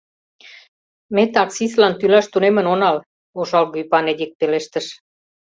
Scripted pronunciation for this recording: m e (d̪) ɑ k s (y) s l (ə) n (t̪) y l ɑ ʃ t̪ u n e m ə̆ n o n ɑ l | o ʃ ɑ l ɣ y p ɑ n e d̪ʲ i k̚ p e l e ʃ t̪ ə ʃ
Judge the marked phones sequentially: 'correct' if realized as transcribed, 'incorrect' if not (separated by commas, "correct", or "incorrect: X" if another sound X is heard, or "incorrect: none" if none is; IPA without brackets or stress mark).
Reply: incorrect: t̪, incorrect: i, incorrect: ɑ, correct